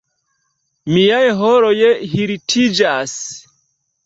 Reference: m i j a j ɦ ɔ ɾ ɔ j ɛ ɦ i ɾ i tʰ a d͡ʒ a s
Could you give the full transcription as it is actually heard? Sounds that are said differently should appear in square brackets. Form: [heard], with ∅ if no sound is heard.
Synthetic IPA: m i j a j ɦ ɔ ɾ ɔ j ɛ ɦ i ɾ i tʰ [i] d͡ʒ a s